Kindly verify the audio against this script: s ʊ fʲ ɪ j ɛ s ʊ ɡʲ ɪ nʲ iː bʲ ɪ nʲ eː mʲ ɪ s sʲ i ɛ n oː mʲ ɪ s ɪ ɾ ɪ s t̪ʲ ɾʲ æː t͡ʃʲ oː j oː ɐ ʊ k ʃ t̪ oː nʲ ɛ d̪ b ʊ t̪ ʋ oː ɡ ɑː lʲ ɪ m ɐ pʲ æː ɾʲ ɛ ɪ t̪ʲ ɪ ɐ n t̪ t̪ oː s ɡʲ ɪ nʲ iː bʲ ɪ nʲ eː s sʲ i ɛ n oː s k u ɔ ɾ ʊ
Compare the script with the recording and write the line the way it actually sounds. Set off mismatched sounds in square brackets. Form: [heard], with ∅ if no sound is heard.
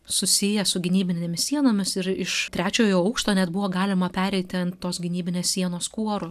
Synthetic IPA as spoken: s ʊ [sʲ] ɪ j ɛ s ʊ ɡʲ ɪ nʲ iː bʲ ɪ nʲ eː mʲ ɪ s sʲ i ɛ n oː mʲ ɪ s ɪ ɾ ɪ [ʃ] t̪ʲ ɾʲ æː t͡ʃʲ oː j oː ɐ ʊ k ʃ t̪ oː nʲ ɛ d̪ b ʊ [∅] ʋ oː ɡ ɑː lʲ ɪ m ɐ pʲ æː ɾʲ ɛ ɪ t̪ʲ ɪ ɐ n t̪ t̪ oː s ɡʲ ɪ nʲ iː bʲ ɪ nʲ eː s sʲ i ɛ n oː s k u ɔ ɾ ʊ